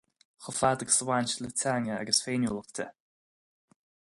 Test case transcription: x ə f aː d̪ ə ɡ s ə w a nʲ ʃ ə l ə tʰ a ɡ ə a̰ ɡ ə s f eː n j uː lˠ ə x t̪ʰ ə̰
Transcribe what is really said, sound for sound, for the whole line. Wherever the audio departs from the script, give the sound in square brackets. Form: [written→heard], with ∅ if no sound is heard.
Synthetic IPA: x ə f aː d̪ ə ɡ s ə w a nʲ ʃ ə l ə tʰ a [ɡ→ŋ] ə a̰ ɡ ə s f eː n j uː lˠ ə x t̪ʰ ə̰